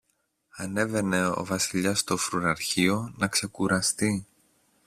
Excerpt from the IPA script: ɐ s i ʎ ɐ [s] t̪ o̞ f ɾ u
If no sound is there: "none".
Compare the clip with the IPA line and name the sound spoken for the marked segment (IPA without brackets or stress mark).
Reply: s